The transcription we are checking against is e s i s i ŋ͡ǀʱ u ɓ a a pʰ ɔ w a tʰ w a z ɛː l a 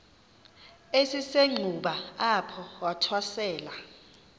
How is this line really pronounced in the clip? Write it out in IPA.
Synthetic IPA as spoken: e s i s e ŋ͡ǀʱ u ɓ a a pʰ ɔ w a tʰ w a s ɛː l a